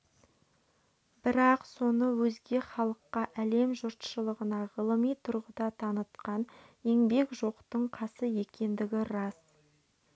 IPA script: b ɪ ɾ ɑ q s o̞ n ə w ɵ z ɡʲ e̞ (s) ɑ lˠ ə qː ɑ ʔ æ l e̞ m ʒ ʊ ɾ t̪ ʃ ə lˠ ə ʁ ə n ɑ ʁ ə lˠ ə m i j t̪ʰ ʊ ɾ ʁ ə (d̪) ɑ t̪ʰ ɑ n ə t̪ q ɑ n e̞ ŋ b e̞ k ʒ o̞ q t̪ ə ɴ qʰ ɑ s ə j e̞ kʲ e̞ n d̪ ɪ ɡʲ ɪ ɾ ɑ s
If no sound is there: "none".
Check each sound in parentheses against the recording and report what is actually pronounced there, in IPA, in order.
χ, d̪

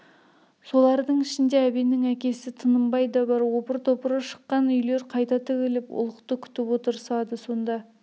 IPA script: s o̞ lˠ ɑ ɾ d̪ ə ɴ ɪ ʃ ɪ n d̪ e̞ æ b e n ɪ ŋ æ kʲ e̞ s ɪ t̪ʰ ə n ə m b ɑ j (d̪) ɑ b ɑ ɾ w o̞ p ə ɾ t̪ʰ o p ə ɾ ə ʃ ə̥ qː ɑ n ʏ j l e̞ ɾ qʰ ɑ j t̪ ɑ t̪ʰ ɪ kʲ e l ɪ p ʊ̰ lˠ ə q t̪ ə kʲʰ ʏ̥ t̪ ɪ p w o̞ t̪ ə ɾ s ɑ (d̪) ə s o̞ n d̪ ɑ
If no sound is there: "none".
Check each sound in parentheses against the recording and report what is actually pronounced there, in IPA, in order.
d̪, d̪

